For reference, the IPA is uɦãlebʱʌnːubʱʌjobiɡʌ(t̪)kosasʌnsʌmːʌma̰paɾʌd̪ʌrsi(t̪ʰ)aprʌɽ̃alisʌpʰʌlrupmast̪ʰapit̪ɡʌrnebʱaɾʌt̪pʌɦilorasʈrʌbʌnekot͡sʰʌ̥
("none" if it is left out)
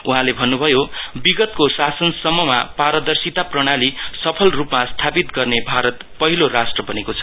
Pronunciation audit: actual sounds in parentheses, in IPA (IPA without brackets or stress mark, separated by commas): t̪, t̪